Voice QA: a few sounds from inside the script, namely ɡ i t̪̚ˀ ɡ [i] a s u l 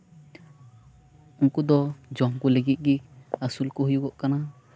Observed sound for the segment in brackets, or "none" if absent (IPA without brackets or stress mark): i